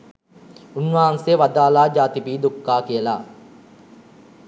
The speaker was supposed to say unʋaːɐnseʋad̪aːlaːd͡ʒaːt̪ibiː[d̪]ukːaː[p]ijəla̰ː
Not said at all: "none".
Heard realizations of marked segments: d̪, k

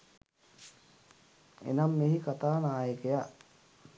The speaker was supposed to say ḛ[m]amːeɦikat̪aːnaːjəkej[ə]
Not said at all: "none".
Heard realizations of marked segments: n, a

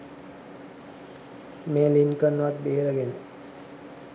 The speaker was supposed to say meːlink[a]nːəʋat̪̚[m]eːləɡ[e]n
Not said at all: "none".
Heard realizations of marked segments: ə, b, e

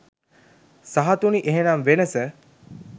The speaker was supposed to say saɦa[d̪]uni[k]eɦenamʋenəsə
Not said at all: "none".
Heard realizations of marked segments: t̪, ʔ

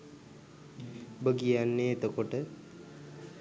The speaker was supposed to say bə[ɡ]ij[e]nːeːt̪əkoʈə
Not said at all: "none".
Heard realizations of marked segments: ɡ, a

